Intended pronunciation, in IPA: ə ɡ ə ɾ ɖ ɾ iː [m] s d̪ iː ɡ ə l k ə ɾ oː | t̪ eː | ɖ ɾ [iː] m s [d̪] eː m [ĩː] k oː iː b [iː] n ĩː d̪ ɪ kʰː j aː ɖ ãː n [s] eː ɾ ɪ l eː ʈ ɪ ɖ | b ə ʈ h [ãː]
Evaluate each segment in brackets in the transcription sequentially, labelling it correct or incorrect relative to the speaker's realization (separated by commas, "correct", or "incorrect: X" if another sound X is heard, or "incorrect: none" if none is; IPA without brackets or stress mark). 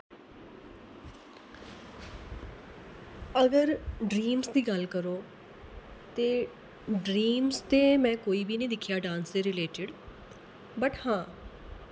correct, correct, incorrect: t̪, incorrect: ɛ̃ː, correct, correct, correct